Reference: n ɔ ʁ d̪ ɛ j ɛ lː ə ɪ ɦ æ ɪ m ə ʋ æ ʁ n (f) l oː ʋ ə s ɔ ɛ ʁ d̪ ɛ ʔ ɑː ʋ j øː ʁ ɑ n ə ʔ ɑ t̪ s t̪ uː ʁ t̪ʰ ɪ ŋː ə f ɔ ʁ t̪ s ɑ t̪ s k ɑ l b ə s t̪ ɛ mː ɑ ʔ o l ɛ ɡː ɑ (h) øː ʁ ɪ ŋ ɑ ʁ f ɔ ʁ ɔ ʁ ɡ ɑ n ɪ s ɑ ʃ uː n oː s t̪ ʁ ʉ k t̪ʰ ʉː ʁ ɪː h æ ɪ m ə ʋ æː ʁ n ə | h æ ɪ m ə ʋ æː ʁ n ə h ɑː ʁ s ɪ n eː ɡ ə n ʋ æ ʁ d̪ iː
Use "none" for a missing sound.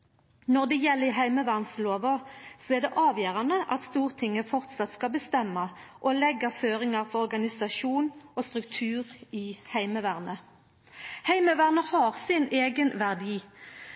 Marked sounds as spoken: s, f

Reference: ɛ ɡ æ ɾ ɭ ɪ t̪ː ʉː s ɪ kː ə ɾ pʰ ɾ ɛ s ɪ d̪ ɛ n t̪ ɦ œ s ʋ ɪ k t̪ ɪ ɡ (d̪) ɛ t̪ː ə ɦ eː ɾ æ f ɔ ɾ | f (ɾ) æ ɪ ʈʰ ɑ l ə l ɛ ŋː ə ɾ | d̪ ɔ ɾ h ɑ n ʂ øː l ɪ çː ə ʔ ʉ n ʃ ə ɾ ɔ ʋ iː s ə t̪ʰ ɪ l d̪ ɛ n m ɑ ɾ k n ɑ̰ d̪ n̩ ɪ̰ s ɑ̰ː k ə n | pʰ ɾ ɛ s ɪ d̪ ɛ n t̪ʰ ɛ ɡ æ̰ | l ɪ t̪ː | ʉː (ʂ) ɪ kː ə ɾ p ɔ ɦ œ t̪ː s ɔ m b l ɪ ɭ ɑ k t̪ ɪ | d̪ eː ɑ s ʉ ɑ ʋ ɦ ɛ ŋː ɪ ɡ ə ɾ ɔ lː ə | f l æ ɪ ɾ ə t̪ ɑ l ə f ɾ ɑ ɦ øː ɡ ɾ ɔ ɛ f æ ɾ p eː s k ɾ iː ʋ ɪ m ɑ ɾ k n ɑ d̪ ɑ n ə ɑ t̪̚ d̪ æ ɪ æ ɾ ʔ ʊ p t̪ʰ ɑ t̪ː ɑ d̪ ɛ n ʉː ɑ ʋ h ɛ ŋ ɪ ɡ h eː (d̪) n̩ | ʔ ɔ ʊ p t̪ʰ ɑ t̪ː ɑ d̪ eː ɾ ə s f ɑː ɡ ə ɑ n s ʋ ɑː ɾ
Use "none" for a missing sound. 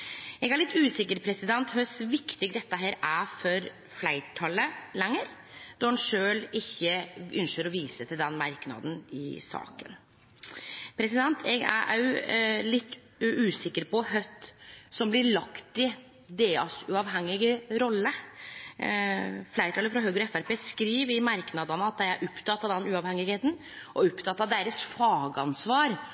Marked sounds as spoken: d̪, l, s, t̪

